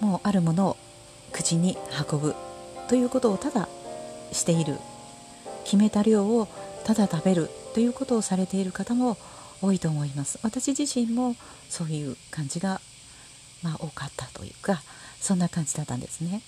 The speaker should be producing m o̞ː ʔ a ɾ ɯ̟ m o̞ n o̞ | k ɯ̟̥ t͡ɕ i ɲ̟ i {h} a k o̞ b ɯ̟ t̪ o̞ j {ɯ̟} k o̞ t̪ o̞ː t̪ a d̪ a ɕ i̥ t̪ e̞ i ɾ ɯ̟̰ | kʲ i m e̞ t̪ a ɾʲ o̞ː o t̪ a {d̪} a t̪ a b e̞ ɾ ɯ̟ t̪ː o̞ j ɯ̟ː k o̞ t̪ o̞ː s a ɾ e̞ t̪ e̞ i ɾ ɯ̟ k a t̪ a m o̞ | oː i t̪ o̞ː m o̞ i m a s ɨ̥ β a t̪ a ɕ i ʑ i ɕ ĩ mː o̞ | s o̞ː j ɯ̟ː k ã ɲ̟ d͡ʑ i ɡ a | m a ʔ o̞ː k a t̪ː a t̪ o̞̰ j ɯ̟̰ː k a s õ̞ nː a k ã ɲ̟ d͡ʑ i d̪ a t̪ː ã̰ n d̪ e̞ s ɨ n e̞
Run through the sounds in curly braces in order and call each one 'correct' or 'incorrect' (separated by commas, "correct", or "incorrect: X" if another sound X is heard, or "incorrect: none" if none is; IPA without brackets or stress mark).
correct, incorrect: ɯ̟ː, correct